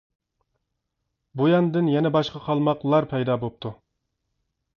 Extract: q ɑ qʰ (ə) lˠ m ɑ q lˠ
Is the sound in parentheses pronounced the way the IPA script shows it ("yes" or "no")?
no